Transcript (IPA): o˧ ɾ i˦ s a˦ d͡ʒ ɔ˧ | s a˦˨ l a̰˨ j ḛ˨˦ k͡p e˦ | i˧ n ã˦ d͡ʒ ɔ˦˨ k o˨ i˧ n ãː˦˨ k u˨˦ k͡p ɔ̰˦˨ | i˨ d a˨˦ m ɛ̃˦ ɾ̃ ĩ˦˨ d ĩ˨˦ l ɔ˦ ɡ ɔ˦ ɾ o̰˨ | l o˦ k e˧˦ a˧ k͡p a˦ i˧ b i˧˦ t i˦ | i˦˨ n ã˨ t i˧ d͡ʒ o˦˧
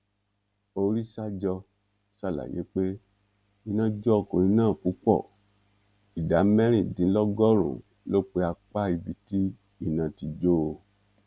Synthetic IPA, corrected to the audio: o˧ ɾ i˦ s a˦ d͡ʒ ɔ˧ | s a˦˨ l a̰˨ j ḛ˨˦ k͡p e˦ | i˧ n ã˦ d͡ʒ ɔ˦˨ k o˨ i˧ n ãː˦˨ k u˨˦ k͡p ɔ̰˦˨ | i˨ d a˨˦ m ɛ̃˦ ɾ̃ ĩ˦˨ d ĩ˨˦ l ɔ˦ ɡ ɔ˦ ɾ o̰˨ | l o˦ k͡p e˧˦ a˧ k͡p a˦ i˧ b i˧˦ t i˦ | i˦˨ n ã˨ t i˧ d͡ʒ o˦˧